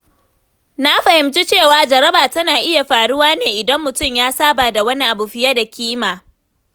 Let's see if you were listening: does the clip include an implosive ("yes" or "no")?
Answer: no